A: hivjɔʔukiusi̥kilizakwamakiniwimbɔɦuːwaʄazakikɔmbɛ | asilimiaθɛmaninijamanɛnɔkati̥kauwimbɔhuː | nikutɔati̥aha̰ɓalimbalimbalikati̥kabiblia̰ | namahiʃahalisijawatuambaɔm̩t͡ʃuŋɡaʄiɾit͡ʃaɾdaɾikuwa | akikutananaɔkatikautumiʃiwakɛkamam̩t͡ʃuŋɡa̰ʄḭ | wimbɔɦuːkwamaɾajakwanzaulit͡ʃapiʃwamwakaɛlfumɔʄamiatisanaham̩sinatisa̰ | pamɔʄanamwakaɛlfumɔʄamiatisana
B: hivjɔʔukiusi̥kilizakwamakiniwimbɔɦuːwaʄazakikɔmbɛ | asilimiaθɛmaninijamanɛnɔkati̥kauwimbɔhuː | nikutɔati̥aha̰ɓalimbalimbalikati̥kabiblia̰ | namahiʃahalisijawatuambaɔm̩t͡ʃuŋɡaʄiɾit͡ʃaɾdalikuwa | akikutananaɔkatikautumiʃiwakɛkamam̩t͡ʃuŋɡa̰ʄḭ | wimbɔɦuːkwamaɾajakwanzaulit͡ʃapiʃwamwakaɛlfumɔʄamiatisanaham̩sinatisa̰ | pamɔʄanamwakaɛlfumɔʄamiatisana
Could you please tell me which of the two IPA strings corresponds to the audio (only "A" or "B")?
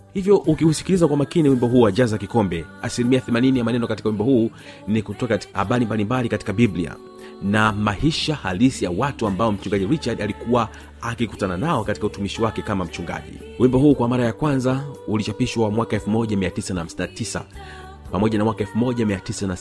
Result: B